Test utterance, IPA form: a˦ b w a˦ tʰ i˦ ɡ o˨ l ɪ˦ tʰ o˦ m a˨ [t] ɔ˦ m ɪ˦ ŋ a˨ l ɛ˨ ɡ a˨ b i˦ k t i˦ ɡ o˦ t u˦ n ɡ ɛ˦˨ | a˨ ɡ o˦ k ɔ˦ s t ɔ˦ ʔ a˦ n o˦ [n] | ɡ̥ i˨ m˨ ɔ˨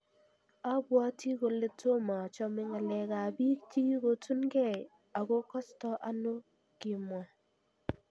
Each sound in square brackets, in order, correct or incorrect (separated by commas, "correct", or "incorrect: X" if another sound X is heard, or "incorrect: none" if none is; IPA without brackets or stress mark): incorrect: t͡ʃ, incorrect: none